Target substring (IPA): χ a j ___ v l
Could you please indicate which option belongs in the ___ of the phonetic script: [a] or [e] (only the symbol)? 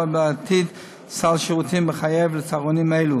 e